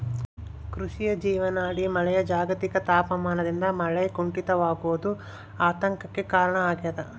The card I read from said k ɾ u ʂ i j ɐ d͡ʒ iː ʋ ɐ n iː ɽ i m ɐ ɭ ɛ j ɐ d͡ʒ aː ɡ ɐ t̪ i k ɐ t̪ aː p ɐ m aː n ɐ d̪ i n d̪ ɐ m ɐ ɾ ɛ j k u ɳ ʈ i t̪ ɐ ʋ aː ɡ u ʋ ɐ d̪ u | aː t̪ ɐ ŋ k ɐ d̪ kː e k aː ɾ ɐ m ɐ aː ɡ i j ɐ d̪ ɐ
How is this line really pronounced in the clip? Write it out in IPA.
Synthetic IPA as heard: k ɾ u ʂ i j ɐ d͡ʒ iː ʋ ɐ n aː ɽ i m ɐ ɭ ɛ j ɐ d͡ʒ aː ɡ ɐ t̪ i k ɐ t̪ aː p ɐ m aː n ɐ d̪ i n d̪ ɐ m ɐ ɭ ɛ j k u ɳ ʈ i t̪ ɐ ʋ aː ɡ u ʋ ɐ d̪ u | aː t̪ ɐ ŋ k ɐ kː e k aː ɾ ɐ ɳ ɐ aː ɡ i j ɐ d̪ ɐ